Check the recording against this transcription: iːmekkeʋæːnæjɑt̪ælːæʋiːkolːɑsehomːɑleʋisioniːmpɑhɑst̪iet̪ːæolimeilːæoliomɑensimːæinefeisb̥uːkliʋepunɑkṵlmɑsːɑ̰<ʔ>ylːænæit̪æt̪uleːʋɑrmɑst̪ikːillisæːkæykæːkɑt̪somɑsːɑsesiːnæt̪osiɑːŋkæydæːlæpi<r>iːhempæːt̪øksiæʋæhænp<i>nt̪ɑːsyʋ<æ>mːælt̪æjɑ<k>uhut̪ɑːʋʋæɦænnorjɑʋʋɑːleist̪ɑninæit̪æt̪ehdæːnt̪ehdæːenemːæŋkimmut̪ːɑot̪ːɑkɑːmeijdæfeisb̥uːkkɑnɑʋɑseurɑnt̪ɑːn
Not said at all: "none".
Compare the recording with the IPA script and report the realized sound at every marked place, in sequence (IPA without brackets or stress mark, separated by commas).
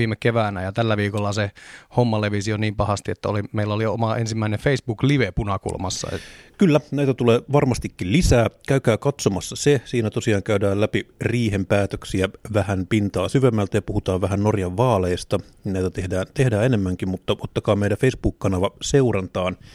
k, r, i, e, p